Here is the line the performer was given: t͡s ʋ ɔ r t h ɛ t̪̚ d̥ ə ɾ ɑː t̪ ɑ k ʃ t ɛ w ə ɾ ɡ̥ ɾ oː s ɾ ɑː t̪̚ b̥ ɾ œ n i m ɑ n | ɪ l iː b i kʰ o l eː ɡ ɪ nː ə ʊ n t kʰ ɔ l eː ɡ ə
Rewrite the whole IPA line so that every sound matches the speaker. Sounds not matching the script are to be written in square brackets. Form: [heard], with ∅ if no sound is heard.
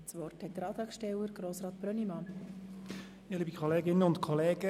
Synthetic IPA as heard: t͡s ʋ ɔ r t h ɛ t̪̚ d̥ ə ɾ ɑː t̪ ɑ k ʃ t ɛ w ə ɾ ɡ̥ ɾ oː s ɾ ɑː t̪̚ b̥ ɾ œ n i m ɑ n | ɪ l iː b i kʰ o l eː ɡ ɪ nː ə ʊ n t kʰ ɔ l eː ɡ ə